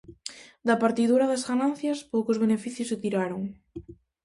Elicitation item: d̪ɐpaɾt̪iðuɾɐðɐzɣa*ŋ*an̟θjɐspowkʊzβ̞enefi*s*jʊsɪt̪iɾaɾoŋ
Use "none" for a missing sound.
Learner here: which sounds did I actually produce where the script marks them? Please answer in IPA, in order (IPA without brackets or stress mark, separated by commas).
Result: n, θ